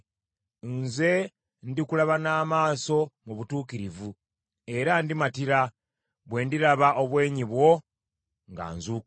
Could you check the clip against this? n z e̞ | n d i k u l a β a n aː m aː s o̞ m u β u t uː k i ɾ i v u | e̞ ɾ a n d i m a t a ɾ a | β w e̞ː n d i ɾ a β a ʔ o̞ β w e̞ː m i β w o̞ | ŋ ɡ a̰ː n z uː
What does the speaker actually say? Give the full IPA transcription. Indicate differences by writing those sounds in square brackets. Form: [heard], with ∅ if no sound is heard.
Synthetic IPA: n z e̞ | n d i k u l a β a n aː m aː s o̞ m u β u t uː k i ɾ i v u | e̞ ɾ a n d i m a t [i] ɾ a | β w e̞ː n d i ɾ a β a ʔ o̞ β w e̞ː [ɲ] i β w o̞ | ŋ ɡ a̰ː n z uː